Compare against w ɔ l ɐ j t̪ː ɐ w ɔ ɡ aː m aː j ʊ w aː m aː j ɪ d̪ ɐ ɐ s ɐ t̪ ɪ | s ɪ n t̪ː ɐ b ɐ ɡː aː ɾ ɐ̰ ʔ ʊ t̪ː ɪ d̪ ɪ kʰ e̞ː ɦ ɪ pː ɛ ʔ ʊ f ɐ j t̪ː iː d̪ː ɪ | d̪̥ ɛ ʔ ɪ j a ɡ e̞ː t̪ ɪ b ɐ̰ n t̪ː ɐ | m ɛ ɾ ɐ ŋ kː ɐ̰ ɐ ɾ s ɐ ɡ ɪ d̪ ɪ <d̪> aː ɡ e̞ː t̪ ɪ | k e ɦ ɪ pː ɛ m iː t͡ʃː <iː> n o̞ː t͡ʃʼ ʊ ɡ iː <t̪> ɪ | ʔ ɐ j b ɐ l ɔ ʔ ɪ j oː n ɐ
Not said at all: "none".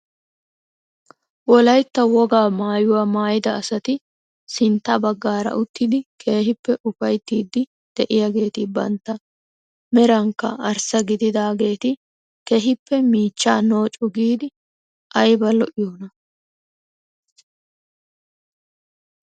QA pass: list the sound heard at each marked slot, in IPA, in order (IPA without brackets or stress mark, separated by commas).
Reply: d̪, aː, d̪